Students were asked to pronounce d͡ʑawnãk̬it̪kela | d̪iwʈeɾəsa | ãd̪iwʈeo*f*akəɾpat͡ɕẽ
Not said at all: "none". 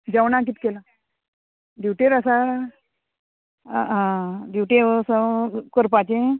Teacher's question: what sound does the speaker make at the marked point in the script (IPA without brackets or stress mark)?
s